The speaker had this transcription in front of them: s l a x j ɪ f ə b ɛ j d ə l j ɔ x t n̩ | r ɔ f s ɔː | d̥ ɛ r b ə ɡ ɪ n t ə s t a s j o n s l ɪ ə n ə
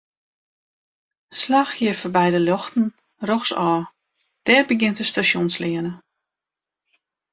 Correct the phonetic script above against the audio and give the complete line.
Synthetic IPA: s l a x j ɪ f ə b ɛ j d ə l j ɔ x t n̩ | r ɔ x s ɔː | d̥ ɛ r b ə ɡ ɪ n t ə s t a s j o n s l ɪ ə n ə

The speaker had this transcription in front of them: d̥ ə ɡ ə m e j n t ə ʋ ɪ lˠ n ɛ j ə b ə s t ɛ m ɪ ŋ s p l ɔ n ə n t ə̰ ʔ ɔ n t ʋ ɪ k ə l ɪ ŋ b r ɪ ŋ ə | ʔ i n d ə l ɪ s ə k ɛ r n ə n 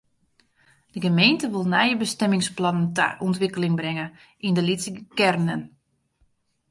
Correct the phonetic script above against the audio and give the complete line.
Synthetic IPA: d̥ ə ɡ ə m e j n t ə ʋ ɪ lˠ n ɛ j ə b ə s t ɛ m ɪ ŋ s p l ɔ n ə n t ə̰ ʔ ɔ n t ʋ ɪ k ə l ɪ ŋ b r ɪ ŋ ə | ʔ i n d ə l i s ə k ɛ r n ə n

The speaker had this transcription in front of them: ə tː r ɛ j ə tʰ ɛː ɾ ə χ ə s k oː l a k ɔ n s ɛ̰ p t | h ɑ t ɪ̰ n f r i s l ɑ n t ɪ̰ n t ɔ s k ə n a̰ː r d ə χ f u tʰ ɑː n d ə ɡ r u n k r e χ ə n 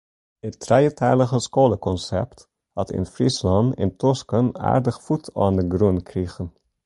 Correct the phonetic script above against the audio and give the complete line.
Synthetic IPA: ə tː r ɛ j ə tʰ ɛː l ə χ ə s k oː l ə k ɔ n s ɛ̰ p t | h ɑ t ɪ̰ n f r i s l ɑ n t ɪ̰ n t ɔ s k ə n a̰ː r d ə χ f u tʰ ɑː n d ə ɡ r u n k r i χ ə n

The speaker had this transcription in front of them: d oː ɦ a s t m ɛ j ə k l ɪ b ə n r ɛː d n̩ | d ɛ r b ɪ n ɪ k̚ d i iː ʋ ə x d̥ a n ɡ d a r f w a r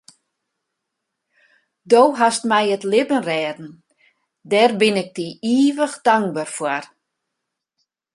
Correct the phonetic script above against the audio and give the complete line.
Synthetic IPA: d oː ɦ a s t m ɛ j ə t l ɪ b ə n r ɛː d n̩ | d ɛ r b ɪ n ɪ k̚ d i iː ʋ ə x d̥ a ŋ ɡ b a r f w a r

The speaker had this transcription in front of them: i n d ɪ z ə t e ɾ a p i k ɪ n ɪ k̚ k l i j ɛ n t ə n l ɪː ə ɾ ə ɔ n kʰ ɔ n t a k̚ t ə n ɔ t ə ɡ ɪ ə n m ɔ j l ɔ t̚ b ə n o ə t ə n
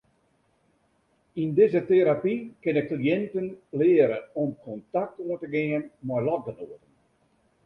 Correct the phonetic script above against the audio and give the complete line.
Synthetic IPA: i n d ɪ z ə t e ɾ a p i k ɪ n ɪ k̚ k l i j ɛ n t ə n l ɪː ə ɾ ə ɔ m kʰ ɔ n t a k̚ t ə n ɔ t ə ɡ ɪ ə n m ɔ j l ɔ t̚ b ə n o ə t ə n

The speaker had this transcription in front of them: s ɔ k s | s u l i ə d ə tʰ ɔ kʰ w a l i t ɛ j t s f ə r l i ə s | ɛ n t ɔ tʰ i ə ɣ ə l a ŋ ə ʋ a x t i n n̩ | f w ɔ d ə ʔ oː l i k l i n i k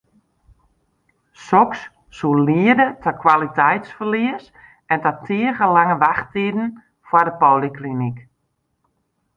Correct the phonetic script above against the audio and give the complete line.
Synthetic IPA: s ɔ k s | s u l i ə d ə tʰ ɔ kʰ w a l i t ɛ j t s f ə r l i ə s | ɛ n t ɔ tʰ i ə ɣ ə l a ŋ ə ʋ a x t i d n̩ | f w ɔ d ə p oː l i k l i n i k

